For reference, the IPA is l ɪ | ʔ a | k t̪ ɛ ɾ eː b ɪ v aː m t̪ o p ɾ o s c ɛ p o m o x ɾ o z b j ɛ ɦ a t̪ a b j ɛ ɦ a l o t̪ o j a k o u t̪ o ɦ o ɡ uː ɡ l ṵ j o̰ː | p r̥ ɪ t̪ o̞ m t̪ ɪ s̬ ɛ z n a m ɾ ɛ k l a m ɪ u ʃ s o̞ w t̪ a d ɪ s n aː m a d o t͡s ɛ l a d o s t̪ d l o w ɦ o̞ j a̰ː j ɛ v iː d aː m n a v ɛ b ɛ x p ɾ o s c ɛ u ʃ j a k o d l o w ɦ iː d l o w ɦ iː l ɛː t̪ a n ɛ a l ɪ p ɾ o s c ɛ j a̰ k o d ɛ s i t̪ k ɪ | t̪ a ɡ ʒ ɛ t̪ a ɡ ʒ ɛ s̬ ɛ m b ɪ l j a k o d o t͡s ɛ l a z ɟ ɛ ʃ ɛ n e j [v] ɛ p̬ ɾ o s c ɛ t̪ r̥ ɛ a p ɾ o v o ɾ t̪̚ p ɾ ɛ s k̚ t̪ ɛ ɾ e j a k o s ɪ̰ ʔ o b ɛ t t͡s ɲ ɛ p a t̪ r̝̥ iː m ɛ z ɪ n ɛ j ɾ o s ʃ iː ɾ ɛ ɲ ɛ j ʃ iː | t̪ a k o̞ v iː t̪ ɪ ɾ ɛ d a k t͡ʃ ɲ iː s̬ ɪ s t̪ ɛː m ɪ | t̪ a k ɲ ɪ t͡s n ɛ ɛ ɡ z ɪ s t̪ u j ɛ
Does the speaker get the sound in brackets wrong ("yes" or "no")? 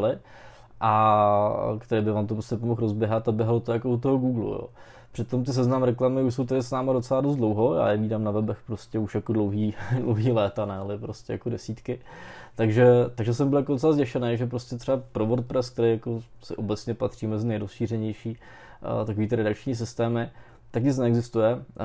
yes